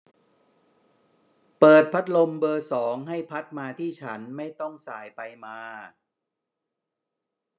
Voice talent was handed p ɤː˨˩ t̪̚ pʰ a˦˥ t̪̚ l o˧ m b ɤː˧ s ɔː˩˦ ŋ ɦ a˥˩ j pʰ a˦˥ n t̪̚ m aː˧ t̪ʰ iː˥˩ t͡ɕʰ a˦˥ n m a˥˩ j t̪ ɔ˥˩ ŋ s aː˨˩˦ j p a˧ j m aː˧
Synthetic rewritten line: p ɤː˨˩ t̪̚ pʰ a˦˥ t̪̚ l o˧ m b ɤː˧ s ɔː˩˦ ŋ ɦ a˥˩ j pʰ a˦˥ t̪̚ m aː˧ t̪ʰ iː˥˩ t͡ɕʰ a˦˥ n m a˥˩ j t̪ ɔ˥˩ ŋ s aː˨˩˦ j p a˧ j m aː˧

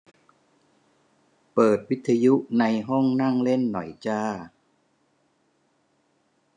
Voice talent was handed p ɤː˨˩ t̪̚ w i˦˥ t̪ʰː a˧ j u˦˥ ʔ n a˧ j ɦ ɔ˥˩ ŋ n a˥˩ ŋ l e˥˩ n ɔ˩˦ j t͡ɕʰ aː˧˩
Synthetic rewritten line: p ɤː˨˩ t̪̚ w i˦˥ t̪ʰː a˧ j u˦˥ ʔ n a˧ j ɦ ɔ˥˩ ŋ n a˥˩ ŋ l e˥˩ nː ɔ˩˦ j t͡ɕ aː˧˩

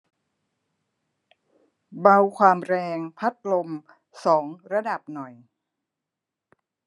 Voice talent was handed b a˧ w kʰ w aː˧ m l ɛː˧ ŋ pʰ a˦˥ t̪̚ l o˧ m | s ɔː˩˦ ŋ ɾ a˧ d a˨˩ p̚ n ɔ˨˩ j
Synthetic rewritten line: b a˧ w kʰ w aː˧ m ɾ ɛː˧ ŋ pʰ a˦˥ t̪̚ l o˧ m | s ɔː˩˦ ŋ ɾ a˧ d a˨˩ p̚ n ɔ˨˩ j

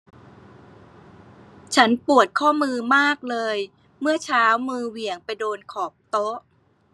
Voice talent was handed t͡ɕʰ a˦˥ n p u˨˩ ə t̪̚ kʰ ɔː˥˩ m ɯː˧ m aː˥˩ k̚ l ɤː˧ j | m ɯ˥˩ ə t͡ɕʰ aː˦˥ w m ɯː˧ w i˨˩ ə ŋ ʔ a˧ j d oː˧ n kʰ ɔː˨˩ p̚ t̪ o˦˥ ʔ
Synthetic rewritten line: t͡ɕʰ a˦˥ n p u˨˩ ə t̪̚ kʰ ɔː˥˩ m ɯː˧ m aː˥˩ k̚ l ɤː˧ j | m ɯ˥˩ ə t͡ɕʰ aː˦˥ w m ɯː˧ w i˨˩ ə ŋ p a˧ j d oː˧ n kʰ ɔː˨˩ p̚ t̪ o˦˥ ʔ

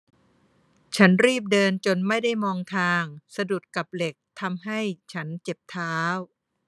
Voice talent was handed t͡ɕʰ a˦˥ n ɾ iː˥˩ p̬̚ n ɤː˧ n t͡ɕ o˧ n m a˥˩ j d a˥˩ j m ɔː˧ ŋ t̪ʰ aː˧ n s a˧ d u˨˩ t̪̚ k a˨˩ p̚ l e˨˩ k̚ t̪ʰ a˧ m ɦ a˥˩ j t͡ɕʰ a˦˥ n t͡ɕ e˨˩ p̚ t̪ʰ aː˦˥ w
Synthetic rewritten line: t͡ɕʰ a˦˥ n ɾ iː˥˩ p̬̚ d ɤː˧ n t͡ɕ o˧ n m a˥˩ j d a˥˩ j m ɔː˧ ŋ t̪ʰ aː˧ ŋ s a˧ d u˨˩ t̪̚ k a˨˩ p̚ l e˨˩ k̚ t̪ʰ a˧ m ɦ a˥˩ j t͡ɕʰ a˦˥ n t͡ɕ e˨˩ p̚ t̪ʰ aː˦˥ w

